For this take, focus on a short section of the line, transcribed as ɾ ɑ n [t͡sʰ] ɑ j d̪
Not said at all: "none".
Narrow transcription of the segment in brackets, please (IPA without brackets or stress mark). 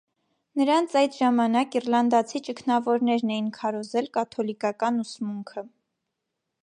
t͡sʰ